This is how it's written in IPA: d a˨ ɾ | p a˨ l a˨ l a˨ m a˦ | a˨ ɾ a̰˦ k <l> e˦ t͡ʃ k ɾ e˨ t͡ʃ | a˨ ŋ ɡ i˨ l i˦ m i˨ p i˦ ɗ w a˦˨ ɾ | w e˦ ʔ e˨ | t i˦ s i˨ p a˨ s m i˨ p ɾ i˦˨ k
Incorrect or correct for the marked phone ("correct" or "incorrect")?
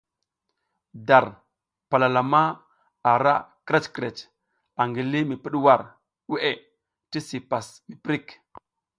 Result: incorrect